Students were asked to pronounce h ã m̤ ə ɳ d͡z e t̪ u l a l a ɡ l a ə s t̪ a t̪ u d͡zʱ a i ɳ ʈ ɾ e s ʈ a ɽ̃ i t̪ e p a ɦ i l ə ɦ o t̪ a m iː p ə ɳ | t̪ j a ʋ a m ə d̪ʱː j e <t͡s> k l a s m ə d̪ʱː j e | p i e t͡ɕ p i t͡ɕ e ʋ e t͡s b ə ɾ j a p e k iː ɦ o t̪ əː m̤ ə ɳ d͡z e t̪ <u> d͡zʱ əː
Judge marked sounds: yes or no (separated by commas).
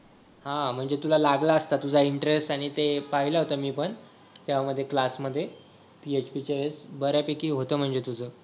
no, yes